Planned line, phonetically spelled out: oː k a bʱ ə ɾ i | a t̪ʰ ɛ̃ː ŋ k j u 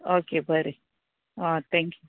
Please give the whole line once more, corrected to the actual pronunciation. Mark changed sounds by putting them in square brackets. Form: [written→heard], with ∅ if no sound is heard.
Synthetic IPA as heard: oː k [a→e] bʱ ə ɾ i | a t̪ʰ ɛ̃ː ŋ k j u